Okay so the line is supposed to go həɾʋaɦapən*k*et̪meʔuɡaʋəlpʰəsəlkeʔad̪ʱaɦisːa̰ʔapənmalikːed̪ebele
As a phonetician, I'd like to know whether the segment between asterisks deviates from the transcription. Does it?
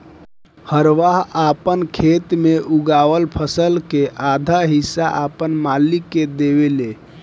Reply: yes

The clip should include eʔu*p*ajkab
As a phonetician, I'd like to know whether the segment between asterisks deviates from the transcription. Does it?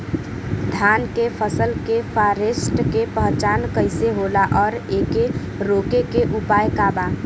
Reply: no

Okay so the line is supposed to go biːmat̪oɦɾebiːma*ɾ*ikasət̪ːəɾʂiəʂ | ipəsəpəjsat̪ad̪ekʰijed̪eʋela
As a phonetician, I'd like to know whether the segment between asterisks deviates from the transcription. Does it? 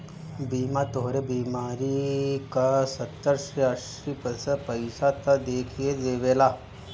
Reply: no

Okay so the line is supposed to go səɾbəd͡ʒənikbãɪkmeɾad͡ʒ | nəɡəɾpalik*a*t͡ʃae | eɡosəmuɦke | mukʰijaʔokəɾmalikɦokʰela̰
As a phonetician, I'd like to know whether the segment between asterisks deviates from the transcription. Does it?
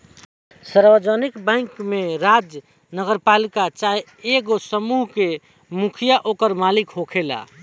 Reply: no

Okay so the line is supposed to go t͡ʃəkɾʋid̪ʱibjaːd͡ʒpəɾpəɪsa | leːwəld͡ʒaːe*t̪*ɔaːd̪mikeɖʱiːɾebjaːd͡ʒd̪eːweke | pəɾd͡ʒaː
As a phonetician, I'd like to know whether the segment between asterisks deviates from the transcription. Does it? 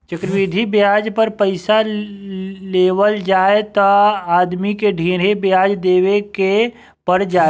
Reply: no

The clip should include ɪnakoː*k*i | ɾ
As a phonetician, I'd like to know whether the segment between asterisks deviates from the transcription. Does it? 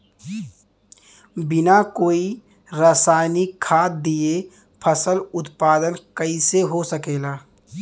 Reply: yes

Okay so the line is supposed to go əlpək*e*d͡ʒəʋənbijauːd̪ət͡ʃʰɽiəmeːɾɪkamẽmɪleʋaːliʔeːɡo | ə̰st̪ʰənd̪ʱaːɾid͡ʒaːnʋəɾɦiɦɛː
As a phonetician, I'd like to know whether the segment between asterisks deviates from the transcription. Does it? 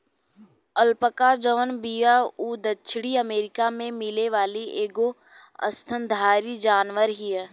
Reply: yes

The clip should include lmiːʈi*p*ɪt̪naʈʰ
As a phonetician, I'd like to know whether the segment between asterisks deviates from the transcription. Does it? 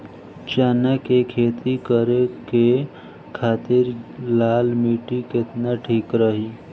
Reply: yes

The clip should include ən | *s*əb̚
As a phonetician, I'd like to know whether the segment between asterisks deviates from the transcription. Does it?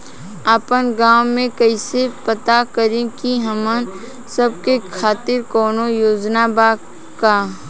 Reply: no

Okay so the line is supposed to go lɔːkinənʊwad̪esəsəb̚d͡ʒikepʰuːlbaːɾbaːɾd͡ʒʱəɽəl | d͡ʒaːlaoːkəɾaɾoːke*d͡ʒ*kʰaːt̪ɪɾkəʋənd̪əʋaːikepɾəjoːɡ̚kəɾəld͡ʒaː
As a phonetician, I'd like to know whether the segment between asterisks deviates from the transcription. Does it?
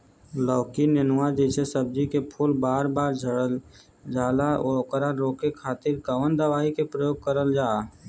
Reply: yes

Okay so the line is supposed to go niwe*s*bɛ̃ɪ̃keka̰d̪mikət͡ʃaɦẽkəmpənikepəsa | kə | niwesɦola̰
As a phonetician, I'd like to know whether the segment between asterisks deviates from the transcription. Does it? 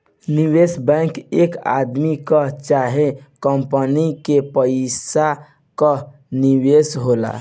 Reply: no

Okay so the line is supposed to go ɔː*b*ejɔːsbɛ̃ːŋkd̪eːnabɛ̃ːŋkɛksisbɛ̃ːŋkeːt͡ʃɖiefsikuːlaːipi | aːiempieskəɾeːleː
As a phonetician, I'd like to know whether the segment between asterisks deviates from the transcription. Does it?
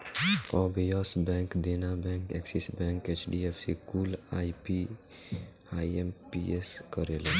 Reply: no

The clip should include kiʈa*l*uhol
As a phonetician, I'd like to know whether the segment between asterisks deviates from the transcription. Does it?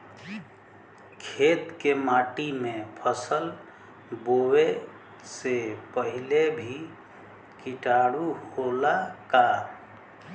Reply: yes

